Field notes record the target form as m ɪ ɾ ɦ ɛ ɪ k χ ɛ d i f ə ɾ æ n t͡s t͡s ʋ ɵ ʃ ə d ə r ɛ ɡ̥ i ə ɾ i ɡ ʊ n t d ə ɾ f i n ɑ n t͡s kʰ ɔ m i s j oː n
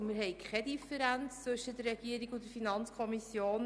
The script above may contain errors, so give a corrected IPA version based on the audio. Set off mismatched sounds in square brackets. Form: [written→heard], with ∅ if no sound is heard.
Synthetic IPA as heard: m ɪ ɾ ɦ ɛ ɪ k χ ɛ d i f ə ɾ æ n t͡s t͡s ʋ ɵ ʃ ə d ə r ɛ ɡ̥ i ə ɾ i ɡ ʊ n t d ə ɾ f i n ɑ n t͡s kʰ ɔ m i s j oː n